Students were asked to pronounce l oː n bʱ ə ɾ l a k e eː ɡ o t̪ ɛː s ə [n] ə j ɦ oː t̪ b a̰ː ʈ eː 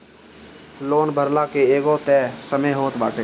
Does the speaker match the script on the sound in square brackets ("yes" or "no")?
no